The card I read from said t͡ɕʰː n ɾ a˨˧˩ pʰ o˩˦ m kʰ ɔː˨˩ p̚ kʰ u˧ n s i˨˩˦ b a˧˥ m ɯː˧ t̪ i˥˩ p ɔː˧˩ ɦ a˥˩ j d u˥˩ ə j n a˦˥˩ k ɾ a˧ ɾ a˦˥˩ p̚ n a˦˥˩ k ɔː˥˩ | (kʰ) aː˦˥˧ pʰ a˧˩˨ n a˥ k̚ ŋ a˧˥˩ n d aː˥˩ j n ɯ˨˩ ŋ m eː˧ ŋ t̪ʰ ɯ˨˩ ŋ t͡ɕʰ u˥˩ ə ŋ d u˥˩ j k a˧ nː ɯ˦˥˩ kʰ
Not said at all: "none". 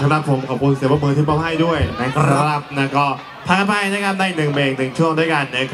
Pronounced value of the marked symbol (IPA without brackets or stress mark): pʰ